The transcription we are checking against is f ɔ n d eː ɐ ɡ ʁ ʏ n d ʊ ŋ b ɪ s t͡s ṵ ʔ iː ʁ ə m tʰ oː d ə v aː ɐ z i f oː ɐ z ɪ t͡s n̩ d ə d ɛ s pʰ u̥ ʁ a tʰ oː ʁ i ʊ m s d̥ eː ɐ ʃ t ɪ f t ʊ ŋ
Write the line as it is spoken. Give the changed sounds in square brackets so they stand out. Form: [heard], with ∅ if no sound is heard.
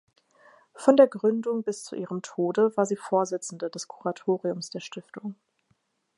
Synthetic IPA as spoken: f ɔ n d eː ɐ ɡ ʁ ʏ n d ʊ ŋ b ɪ s t͡s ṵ ʔ iː ʁ ə m tʰ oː d ə v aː ɐ z [iː] f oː ɐ z ɪ t͡s n̩ d ə d ɛ s [kʰ] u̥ ʁ a tʰ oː ʁ i ʊ m s d̥ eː ɐ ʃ t ɪ f t ʊ ŋ